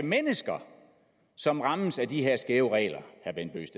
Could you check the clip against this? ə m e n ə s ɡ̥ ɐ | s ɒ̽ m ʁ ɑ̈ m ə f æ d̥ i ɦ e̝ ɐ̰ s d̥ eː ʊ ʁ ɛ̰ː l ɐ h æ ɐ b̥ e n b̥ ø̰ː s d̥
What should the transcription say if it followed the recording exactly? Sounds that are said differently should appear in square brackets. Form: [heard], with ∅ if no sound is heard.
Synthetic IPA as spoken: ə m e n ə s ɡ̥ ɐ | s ɒ̽ m ʁ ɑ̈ m ə [s] æ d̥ i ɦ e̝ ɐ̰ s [ɡ̥] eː ʊ ʁ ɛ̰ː l ɐ h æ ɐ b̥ e n b̥ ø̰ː s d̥